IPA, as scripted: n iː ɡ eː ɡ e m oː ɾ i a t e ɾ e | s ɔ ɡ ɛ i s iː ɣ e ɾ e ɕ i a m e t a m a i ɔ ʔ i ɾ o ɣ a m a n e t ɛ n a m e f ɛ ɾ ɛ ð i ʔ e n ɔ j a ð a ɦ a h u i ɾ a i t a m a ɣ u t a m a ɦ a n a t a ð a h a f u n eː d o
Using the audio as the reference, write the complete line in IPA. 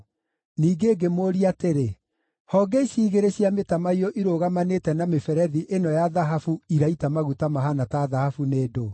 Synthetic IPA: n iː ɡ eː ɡ e m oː ɾ i a t e ɾ e | h ɔ ɡ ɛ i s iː ɣ e ɾ e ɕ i a m e t a m a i ɔ ʔ i ɾ o ɣ a m a n e t ɛ n a m e f ɛ ɾ ɛ ð i ʔ e n ɔ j a ð a ɦ a f u i ɾ a i t a m a ɣ u t a m a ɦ a n a t a ð a h a f u n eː d o